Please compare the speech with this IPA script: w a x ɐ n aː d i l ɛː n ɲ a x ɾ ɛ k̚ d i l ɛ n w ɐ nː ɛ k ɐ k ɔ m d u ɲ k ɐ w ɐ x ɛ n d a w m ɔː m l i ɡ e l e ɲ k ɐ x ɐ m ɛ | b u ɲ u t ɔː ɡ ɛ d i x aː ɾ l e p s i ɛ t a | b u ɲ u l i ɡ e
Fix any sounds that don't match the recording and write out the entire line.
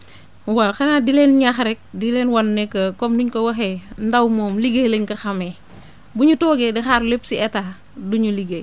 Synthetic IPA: w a x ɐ n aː d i l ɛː n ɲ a x ɾ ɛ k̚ d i l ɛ n w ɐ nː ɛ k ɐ k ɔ m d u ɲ k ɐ w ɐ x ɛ n d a w m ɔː m l i ɡ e l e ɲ k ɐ x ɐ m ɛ | b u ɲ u t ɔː ɡ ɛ d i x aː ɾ l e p s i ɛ t a | d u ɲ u l i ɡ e